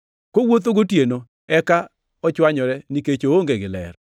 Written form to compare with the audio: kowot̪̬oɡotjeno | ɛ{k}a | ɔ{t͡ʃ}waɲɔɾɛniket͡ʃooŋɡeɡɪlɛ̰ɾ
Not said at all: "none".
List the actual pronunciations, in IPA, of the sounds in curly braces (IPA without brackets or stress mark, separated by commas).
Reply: k, t͡ʃ